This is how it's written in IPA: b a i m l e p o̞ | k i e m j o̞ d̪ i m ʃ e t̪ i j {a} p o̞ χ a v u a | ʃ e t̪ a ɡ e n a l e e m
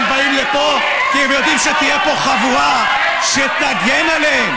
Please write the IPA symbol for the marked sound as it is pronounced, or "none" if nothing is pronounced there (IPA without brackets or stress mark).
e